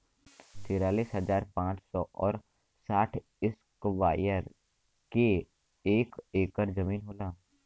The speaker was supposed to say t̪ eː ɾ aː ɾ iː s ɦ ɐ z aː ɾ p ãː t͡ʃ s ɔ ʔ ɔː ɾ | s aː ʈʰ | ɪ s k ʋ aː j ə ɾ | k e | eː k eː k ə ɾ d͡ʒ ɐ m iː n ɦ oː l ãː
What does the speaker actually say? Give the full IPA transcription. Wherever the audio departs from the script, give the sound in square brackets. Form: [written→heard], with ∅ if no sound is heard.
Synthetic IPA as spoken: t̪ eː ɾ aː [ɾ→l] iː s ɦ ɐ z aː ɾ p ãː t͡ʃ s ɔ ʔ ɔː ɾ | s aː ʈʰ | ɪ s k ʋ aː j ə ɾ | k e | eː k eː k ə ɾ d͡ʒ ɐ m iː n ɦ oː l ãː